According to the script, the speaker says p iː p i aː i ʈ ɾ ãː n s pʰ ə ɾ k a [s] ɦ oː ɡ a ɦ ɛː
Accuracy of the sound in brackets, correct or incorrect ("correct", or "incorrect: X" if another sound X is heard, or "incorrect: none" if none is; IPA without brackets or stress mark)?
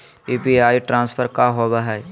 incorrect: none